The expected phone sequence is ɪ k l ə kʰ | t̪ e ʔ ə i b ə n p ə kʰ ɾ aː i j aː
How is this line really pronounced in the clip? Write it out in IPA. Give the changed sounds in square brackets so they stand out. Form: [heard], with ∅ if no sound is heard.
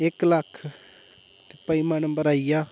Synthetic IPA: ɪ k l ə kʰ | t̪ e [p] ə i [m] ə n [b] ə [∅] ɾ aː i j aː